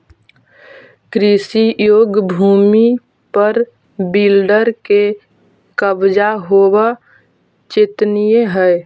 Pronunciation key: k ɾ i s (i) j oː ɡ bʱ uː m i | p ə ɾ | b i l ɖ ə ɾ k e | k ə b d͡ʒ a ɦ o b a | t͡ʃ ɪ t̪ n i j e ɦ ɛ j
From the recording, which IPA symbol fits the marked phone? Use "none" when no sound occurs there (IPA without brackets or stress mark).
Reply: i